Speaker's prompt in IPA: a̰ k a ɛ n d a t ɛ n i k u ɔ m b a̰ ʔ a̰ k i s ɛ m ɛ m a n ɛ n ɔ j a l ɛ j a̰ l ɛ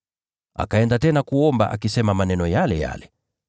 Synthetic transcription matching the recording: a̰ k a ɛ n d a t ɛ n a k u ɔ m b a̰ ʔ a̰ k i s ɛ m a m a n ɛ n ɔ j a l ɛ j a̰ l ɛ